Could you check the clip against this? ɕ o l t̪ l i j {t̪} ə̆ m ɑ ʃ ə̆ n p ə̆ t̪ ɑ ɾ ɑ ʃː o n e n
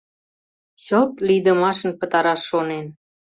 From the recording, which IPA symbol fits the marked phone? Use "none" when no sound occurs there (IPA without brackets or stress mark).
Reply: d̪